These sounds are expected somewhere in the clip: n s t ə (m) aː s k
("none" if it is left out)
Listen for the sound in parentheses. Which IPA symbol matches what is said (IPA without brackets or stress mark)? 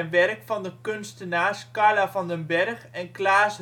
n